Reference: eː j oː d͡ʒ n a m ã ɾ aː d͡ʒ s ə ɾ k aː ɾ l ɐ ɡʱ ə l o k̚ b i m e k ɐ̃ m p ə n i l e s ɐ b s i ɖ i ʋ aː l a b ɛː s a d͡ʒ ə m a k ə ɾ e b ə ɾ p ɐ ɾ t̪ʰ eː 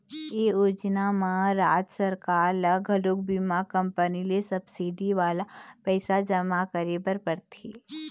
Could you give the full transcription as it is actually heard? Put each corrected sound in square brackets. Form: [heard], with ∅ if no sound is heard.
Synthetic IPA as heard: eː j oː d͡ʒ n a m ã ɾ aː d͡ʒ s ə ɾ k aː ɾ l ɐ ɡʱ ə l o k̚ b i m [a] k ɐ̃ m p ə n i l e s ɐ b s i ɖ i ʋ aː l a [p] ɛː s a d͡ʒ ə m a k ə ɾ e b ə ɾ p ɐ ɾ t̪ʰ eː